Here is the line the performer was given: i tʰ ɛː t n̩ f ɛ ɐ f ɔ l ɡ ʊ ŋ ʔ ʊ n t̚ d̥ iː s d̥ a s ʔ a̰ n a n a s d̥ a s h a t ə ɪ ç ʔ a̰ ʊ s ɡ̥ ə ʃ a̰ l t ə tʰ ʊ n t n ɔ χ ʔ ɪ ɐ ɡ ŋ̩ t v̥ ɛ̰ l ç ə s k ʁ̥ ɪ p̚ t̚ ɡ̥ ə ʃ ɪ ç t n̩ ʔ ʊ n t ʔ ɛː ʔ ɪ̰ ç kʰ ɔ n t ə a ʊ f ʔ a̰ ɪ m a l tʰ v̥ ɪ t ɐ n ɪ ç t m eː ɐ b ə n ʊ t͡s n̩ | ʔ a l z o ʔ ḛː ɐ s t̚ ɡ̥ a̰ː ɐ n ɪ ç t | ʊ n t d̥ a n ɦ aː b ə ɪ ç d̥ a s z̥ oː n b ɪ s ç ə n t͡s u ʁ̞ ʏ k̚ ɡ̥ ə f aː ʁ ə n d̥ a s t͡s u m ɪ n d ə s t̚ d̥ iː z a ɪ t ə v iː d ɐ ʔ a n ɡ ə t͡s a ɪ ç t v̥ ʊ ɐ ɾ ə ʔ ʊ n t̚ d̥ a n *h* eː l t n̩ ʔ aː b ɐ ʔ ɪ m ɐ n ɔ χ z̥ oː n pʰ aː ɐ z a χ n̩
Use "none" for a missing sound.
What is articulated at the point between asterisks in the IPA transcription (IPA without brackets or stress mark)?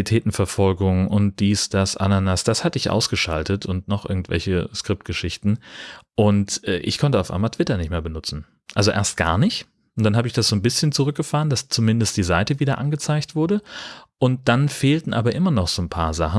f